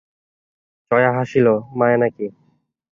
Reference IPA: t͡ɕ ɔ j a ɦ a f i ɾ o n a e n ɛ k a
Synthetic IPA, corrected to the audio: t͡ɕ ɔ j a ɦ a ʃ i l o m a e n a k i